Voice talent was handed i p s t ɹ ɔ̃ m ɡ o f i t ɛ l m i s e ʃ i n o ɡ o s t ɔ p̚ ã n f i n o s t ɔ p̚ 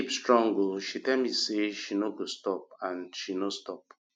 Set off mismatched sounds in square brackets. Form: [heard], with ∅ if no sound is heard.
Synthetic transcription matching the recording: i p s t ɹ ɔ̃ [ŋ] ɡ o [ʃ] i t ɛ l m i s e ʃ i n o ɡ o s t ɔ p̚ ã n [ʃ] i n o s t ɔ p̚

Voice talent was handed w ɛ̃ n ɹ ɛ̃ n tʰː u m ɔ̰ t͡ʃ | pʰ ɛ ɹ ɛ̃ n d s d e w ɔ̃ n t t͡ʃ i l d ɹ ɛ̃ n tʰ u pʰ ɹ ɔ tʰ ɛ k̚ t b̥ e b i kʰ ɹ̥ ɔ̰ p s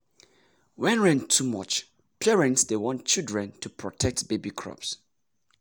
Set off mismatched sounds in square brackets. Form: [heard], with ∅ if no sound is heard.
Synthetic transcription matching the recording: w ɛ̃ n ɹ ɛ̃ n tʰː u m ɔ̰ t͡ʃ | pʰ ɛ ɹ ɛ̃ n [t] s d e w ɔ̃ n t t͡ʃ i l d ɹ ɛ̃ n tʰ u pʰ ɹ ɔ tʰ ɛ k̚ t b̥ e b i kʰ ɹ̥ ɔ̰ p s

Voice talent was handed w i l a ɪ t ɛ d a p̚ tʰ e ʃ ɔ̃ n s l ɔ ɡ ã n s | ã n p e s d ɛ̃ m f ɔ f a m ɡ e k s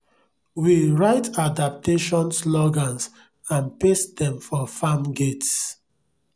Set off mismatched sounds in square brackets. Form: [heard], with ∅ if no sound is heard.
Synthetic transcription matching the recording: w i [ɹ] a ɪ t [a] d a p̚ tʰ e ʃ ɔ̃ n s l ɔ ɡ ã n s | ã n p e s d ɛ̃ m f ɔ f a m ɡ e [t] s

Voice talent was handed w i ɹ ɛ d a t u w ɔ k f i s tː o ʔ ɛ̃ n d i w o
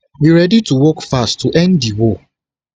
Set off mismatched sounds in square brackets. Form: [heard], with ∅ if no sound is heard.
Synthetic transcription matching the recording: w i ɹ ɛ d [i] t u w ɔ k f [a] s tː [u] ʔ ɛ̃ n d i w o

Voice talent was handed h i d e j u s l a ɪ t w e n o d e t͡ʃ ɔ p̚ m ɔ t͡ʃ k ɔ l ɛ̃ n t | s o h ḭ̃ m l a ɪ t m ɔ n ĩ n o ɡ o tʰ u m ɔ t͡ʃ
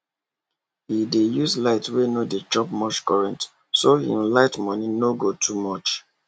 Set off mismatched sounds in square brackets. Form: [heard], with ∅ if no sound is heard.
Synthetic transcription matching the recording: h i d e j u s l a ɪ t w e n o d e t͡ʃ ɔ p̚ m ɔ t͡ʃ k ɔ [ɹ] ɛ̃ n t | s o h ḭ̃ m l a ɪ t m ɔ n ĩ n o ɡ o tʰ u m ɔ t͡ʃ

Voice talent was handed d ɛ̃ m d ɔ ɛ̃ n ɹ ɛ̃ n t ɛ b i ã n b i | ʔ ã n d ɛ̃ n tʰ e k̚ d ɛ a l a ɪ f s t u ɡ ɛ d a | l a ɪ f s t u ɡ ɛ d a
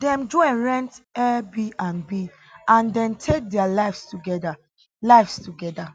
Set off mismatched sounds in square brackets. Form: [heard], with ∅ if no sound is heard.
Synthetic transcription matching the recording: d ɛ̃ m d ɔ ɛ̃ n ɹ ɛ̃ n t ɛ b i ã n b i | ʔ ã n d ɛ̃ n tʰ e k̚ d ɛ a l a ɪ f s t u ɡ ɛ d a | l a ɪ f s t u ɡ ɛ d a

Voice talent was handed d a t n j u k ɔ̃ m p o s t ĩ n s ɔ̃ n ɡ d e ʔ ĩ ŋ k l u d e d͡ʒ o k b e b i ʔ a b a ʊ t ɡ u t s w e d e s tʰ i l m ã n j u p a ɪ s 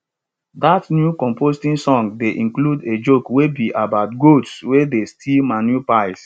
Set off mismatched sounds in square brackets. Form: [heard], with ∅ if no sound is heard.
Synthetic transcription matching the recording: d a t n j u k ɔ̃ m p o s t ĩ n s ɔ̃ [ŋ] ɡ d e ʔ ĩ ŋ k l u d e d͡ʒ o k [w] e b i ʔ a b a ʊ t ɡ [o] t s w e d e s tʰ i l m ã n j u p a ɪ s

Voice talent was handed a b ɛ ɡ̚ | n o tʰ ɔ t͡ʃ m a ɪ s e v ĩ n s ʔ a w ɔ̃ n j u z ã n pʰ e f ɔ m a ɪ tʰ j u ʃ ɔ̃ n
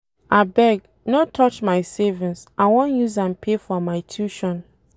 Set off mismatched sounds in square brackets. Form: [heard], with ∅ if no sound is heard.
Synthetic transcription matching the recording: a b ɛ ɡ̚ | n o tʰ ɔ t͡ʃ m a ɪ s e v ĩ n s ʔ a w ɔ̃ n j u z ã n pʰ e f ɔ m a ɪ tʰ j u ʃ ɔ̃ n

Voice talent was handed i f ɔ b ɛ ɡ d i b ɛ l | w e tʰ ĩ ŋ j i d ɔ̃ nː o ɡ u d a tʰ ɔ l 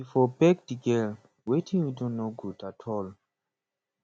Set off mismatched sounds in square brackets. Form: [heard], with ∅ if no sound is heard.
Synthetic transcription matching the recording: i f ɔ b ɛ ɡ d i [ɡ] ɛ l | w e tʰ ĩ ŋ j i d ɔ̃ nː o ɡ u d a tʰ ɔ l

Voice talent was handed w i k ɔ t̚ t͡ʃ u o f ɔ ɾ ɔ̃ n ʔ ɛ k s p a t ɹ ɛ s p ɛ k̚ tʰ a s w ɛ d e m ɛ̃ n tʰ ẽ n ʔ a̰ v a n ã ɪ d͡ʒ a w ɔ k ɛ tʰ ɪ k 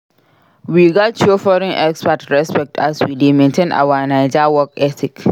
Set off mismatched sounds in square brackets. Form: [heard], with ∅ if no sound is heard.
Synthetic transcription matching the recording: w i [ɡ] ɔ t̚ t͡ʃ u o f ɔ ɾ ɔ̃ n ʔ ɛ k s p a t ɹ ɛ s p ɛ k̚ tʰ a s w [i] d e m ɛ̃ n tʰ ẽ n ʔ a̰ [w] a n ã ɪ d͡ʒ a w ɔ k ɛ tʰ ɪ k

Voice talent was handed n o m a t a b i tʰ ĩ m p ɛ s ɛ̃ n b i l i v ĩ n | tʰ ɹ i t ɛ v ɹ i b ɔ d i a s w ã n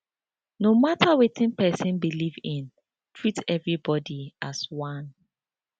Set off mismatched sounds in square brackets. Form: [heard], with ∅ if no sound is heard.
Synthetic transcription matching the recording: n o m a t a [w] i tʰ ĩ [n] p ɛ s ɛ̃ n b i l i v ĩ n | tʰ ɹ i t ɛ v ɹ i b ɔ d i a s w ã n

